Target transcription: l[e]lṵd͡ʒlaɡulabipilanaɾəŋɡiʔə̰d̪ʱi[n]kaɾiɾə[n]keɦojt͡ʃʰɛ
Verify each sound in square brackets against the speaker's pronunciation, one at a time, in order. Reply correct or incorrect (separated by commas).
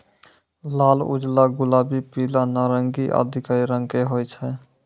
incorrect, incorrect, incorrect